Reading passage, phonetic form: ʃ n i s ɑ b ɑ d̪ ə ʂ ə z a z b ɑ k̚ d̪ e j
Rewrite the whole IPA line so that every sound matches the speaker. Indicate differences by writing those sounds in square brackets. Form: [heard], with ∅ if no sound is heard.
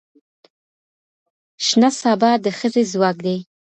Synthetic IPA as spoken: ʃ n [a] s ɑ b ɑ d̪ ə [x] ə z [e] z [w] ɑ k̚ d̪ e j